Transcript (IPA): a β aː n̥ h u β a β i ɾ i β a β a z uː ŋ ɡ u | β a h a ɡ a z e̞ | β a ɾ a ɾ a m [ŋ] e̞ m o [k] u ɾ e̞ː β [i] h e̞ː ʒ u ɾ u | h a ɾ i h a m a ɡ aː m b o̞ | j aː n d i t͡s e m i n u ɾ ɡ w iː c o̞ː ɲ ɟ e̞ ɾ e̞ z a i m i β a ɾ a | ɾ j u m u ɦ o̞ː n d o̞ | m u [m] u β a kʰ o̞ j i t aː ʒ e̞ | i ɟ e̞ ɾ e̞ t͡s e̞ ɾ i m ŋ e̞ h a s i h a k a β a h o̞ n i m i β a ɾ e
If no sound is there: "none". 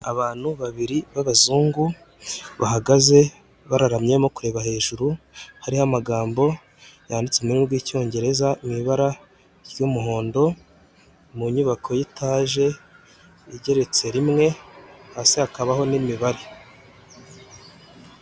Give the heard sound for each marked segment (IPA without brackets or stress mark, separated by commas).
ɲ, k, a, ɲ